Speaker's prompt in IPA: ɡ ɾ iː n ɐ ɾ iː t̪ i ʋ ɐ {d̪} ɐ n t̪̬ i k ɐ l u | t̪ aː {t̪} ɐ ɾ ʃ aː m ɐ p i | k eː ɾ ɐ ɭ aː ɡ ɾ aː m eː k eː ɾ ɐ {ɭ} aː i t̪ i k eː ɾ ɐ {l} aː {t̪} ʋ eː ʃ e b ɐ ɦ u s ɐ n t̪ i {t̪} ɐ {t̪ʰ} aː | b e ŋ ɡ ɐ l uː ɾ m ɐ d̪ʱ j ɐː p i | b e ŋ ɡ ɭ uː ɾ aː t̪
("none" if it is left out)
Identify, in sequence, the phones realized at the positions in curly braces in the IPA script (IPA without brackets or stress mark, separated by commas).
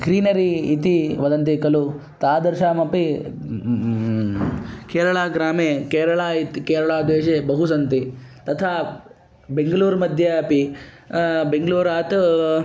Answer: d̪, d̪, ɭ, ɭ, d̪, t̪, t̪ʰ